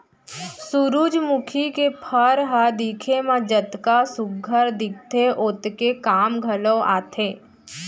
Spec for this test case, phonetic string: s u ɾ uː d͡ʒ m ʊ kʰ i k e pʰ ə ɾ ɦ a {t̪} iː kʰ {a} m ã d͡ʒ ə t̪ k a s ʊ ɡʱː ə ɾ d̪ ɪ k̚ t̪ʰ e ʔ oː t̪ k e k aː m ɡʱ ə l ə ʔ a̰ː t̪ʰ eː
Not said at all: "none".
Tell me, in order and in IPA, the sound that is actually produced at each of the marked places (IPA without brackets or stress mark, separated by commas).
d̪, e